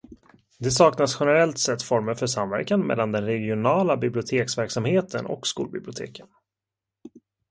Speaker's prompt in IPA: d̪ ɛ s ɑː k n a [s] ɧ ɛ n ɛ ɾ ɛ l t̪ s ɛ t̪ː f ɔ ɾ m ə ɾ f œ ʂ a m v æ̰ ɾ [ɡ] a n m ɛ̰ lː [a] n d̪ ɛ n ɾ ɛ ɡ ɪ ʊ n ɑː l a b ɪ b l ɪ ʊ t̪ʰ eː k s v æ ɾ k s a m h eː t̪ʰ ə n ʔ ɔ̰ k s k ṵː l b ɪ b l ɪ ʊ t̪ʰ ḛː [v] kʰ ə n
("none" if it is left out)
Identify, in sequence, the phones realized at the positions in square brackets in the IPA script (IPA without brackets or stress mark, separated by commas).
s, k, a, none